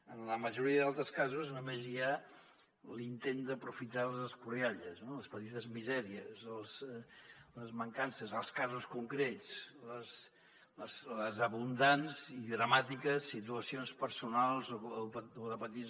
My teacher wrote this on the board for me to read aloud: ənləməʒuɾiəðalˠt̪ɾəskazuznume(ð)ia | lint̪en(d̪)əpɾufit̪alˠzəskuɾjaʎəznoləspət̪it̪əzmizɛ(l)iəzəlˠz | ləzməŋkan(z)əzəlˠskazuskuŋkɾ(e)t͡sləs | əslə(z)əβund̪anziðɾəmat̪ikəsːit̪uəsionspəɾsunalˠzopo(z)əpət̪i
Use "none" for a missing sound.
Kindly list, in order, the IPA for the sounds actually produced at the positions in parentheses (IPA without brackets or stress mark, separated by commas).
z, d̪, ɾ, s, e, z, ð